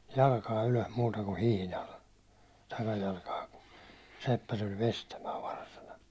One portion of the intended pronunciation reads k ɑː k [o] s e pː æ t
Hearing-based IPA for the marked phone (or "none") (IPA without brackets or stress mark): u